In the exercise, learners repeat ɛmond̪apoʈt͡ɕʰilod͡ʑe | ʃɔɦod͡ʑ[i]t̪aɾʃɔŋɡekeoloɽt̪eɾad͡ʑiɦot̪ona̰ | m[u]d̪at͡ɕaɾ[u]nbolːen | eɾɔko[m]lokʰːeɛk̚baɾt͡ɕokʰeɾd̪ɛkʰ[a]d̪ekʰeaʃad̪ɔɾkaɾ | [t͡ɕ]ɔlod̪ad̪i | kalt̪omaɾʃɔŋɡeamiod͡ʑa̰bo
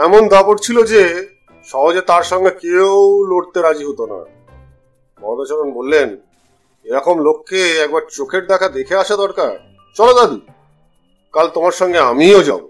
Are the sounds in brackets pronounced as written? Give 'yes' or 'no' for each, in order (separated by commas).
no, no, no, yes, yes, yes